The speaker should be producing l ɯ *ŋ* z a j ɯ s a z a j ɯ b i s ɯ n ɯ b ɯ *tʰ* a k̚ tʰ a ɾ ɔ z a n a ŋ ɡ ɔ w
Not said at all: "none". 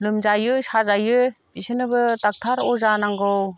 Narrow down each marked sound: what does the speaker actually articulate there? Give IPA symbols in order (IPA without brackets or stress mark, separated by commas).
m, t